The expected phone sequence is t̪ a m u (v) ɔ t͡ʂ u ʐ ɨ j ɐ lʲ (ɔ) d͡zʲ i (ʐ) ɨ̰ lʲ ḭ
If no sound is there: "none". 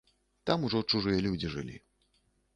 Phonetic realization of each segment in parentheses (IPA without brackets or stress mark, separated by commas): ʐ, u, ʐ